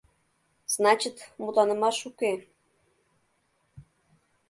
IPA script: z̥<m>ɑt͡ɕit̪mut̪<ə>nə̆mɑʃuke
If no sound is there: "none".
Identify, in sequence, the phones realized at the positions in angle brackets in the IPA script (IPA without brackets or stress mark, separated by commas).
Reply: n, ɑ